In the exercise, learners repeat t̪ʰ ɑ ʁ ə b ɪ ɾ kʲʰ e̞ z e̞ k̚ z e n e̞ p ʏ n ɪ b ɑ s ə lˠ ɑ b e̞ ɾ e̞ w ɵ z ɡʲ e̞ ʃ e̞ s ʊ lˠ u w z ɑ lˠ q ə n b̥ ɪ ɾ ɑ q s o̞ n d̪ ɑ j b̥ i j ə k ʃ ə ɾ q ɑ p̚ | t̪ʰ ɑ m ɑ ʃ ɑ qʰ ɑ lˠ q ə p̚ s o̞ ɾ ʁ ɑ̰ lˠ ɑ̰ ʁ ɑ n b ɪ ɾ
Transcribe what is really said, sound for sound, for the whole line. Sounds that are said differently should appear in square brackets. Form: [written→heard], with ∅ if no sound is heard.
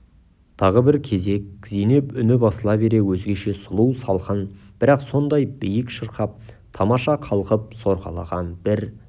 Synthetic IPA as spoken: t̪ʰ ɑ ʁ ə b ɪ ɾ kʲʰ e̞ z e̞ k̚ z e n e̞ p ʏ n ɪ b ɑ s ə lˠ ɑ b e̞ ɾ e̞ w ɵ z ɡʲ e̞ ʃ e̞ s ʊ lˠ u w [z→s] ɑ lˠ q ə n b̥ ɪ ɾ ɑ q s o̞ n d̪ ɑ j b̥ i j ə k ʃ ə ɾ q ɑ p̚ | t̪ʰ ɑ m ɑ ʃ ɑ qʰ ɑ lˠ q ə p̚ s o̞ ɾ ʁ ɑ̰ lˠ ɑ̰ ʁ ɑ n b ɪ ɾ